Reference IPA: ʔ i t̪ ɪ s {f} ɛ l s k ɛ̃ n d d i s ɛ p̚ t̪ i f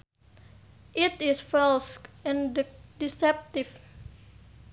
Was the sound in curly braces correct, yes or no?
yes